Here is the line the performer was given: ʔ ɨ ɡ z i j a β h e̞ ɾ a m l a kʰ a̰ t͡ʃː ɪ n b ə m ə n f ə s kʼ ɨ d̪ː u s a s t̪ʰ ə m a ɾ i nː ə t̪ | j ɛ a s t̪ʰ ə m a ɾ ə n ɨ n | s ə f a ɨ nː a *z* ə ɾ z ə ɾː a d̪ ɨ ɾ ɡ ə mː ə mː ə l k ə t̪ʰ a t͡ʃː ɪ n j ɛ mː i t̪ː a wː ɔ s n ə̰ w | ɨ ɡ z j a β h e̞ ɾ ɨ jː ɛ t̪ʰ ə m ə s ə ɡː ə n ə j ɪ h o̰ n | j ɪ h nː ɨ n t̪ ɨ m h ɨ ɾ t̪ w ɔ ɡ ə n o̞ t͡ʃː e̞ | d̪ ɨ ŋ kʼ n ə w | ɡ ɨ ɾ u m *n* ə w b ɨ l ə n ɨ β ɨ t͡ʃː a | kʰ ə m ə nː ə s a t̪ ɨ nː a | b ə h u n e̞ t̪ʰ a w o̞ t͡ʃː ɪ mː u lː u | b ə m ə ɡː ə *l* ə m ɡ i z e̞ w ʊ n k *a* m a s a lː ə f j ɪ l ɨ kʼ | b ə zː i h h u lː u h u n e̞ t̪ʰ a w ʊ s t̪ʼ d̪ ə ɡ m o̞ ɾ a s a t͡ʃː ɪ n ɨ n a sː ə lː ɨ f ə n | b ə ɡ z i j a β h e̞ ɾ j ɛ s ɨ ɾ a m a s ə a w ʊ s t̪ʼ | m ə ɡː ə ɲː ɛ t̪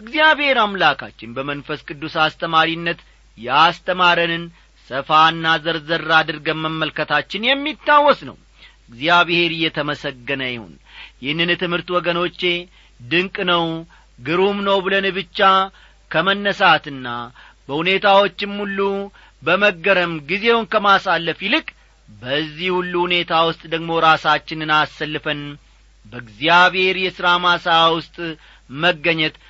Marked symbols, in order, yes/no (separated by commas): yes, yes, no, no